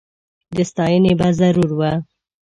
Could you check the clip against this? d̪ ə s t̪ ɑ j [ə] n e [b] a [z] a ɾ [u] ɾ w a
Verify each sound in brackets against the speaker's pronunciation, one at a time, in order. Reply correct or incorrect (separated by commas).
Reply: correct, correct, correct, correct